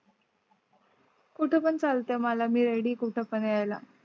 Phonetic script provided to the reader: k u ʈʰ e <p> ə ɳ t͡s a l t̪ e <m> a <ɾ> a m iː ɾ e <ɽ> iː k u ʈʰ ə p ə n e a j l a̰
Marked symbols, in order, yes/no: yes, yes, no, yes

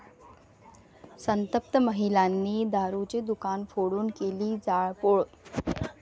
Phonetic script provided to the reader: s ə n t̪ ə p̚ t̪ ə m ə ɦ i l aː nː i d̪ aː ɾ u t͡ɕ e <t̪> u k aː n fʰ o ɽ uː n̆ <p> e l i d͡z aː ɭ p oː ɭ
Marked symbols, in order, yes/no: no, no

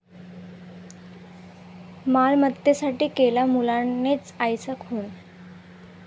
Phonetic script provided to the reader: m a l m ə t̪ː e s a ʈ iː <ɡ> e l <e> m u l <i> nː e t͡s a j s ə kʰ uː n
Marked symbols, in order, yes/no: no, no, no

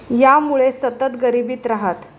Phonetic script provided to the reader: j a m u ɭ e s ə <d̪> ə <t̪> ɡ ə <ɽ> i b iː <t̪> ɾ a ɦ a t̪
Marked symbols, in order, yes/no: no, yes, no, yes

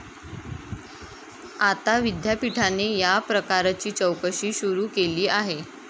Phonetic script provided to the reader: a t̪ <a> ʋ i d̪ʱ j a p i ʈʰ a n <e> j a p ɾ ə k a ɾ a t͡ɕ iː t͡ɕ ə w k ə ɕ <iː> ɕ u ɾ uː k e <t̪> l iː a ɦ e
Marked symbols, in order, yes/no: yes, yes, yes, no

